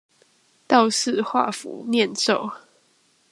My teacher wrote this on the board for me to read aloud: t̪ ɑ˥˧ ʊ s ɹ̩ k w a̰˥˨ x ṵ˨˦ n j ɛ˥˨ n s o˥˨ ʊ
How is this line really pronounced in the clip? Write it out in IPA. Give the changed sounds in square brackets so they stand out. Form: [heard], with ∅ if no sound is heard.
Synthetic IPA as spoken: t̪ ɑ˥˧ ʊ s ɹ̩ [x] w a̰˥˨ [f] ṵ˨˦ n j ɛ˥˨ n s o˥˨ ʊ